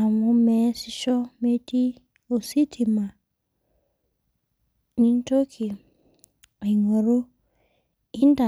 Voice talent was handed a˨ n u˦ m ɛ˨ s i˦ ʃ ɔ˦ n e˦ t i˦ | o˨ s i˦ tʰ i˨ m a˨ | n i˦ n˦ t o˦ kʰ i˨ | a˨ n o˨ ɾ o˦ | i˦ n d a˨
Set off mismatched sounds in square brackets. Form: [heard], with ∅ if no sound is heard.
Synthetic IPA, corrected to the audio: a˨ [m] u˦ m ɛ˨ s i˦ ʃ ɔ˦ [m] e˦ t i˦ | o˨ s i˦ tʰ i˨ m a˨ | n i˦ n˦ t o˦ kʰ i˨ | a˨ [ŋ] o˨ ɾ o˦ | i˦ n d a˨